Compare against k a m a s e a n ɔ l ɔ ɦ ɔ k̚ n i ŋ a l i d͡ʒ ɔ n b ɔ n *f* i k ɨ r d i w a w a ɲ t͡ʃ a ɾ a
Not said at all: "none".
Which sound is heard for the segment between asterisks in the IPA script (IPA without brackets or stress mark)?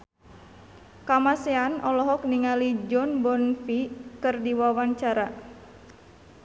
f